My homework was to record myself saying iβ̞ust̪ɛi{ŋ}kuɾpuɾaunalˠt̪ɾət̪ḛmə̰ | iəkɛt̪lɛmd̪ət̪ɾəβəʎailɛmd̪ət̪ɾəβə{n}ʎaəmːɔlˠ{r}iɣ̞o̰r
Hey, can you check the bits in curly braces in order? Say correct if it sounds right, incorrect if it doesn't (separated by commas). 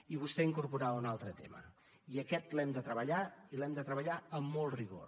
correct, incorrect, correct